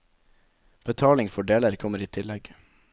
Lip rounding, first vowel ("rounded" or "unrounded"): unrounded